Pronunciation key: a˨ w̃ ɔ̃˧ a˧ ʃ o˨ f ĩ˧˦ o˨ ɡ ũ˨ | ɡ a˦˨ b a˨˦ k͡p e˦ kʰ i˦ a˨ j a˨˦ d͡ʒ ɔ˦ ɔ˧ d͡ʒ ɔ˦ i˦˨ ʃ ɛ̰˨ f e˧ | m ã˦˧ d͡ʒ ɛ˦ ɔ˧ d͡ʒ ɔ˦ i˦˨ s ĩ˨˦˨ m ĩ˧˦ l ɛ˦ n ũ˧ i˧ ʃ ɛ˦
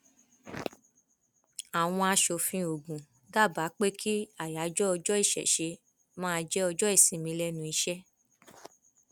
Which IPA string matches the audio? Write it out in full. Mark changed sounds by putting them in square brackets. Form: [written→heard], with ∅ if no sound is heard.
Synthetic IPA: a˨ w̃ ɔ̃˧ a˧ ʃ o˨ f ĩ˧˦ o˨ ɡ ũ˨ | ɡ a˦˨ b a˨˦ k͡p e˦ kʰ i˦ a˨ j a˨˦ d͡ʒ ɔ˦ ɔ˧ d͡ʒ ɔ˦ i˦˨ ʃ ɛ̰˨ [f→ʃ] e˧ | m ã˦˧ d͡ʒ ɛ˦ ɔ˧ d͡ʒ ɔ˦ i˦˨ s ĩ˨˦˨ m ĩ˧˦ l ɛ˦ n ũ˧ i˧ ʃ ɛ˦